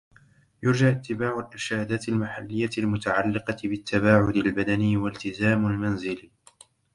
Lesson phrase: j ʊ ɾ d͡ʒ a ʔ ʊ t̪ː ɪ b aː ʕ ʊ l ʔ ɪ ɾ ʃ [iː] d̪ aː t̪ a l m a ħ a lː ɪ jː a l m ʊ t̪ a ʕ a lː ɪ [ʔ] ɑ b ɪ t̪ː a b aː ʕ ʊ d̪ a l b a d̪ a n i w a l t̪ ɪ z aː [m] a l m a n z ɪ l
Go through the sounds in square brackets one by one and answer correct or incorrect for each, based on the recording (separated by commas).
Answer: incorrect, incorrect, correct